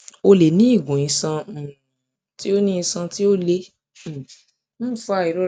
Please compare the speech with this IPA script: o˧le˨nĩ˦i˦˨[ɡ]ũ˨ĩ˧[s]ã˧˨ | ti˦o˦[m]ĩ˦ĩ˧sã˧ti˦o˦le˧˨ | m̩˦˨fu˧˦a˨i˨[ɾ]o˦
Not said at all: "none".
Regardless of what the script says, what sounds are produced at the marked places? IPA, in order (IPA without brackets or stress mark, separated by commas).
ɡ, s, n, ɾ